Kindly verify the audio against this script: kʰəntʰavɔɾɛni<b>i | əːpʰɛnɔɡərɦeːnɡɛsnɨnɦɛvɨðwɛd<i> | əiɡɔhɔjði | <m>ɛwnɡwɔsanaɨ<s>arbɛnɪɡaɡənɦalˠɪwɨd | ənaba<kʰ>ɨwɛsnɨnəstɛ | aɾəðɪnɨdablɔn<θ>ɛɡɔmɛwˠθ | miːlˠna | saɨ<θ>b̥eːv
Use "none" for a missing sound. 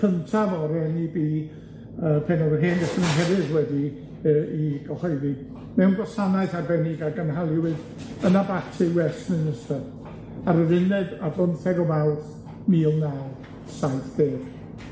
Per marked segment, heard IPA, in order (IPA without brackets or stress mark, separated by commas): b, i, m, θ, tʰ, θ, θ